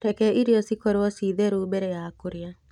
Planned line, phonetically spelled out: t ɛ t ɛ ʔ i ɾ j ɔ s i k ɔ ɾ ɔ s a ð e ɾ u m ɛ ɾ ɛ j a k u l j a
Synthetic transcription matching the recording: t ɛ k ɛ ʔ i ɾ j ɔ s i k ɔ ɾ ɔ s i ð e ɾ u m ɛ ɾ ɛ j a k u ɾ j a